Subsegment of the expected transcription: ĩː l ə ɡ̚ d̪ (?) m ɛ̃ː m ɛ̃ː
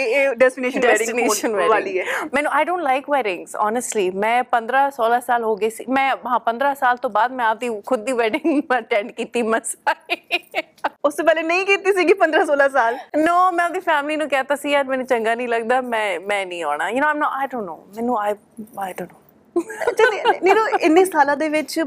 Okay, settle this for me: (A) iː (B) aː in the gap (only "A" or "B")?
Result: B